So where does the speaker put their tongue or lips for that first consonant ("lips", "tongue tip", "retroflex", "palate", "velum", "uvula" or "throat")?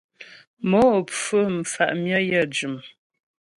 lips